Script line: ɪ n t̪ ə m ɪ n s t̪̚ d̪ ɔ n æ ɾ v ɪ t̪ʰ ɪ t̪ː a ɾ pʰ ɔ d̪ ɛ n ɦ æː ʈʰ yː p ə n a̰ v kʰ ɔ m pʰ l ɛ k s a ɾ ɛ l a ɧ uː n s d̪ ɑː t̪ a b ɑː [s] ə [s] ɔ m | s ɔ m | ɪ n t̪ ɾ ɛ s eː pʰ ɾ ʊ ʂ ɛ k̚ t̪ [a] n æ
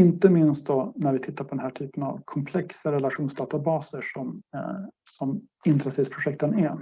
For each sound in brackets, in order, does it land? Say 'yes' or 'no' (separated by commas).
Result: yes, no, no